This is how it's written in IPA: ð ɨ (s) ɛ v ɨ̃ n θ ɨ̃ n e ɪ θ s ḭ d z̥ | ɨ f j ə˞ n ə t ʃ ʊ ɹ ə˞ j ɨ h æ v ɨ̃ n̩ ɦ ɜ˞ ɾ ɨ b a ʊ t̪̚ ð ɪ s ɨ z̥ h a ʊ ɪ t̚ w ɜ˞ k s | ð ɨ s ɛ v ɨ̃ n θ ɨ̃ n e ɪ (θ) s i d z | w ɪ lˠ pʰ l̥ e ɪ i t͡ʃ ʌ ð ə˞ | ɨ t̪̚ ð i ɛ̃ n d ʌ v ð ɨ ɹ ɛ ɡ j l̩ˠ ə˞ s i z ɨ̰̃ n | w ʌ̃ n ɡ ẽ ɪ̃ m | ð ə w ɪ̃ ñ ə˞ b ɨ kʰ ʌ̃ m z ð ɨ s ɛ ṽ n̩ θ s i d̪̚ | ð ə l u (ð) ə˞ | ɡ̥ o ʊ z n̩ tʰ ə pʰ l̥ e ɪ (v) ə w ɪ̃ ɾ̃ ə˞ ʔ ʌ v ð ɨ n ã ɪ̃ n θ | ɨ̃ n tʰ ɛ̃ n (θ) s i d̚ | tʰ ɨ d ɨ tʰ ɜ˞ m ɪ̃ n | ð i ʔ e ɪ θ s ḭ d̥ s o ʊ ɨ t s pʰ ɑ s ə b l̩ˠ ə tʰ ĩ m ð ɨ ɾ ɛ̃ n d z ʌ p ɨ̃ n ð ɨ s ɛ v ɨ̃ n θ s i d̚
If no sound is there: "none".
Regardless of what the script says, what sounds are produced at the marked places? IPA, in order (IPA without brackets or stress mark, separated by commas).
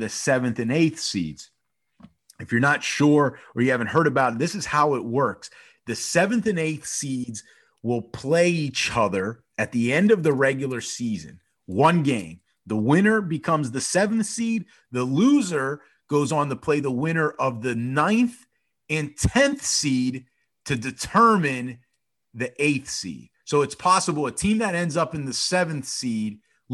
s, θ, z, ð, θ